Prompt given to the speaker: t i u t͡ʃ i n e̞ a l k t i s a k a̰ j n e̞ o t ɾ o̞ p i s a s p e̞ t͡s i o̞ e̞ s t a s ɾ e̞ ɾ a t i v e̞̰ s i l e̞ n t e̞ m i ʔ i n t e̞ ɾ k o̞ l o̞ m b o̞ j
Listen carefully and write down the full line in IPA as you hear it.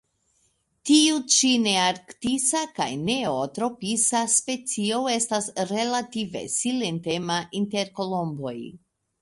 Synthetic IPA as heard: t i u t͡ʃ i n e̞ a ɾ k t i s a k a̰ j n e̞ o t ɾ o̞ p i s a s p e̞ t͡s i o̞ e̞ s t a s ɾ e̞ l a t i v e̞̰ s i l e̞ n t e̞ m a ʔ i n t e̞ ɾ k o̞ l o̞ m b o̞ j